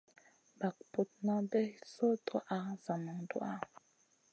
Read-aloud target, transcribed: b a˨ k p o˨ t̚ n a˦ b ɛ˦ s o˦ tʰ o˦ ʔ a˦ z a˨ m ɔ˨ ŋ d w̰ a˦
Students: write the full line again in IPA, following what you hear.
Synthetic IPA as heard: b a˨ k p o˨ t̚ n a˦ b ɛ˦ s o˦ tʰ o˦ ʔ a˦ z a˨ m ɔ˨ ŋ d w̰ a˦

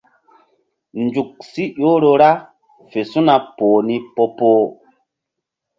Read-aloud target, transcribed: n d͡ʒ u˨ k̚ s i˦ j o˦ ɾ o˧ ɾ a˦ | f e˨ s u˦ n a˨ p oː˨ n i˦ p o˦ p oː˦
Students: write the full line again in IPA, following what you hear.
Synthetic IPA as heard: n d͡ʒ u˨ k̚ s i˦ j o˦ ɾ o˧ ɾ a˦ | f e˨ s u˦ n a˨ p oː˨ n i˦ p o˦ p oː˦

